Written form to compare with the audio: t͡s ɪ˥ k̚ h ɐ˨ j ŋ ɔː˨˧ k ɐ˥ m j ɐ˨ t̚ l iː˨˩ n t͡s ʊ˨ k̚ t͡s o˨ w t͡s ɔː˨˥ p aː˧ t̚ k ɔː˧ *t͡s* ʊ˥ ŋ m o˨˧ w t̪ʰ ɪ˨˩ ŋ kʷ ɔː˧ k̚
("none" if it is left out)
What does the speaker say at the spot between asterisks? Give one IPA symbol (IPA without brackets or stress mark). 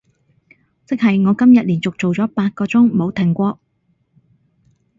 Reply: t͡s